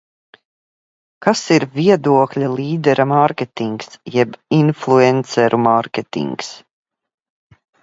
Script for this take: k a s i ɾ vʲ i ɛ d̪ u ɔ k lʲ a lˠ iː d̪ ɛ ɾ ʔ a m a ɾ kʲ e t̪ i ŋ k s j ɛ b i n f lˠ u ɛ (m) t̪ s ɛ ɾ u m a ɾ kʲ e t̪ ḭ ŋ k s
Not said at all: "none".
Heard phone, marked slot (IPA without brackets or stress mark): n